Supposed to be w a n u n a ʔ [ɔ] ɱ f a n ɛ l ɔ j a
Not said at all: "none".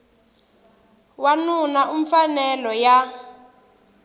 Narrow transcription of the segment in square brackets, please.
u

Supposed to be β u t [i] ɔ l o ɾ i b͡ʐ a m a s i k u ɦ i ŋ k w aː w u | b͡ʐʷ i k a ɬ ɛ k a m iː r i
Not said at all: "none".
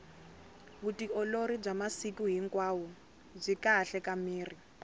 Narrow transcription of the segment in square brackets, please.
i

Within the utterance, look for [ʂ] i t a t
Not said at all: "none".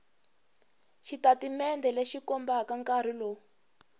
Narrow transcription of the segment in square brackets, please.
ʃ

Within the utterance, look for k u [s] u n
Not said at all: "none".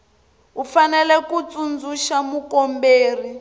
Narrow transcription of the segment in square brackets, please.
t͡s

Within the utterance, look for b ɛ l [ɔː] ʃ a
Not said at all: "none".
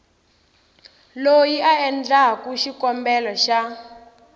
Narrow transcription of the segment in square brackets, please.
ɔ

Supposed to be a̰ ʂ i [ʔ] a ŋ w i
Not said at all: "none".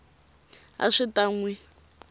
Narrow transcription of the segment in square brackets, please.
t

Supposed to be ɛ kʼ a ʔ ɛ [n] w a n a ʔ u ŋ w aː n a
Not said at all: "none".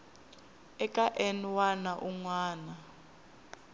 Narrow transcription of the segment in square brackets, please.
n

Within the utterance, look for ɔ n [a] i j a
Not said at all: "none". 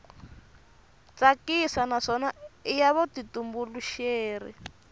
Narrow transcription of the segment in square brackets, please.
a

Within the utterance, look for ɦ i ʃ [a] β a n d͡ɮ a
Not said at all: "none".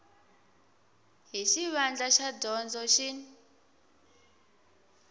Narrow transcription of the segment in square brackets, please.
i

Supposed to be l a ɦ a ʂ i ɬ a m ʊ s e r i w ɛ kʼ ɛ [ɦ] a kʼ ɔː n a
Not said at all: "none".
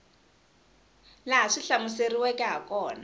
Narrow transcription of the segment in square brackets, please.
ɦ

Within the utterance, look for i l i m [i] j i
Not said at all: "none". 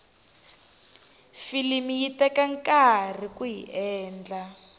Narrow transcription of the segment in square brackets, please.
i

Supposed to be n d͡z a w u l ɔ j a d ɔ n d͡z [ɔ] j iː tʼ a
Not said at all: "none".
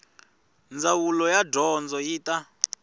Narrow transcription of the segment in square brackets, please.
ɔ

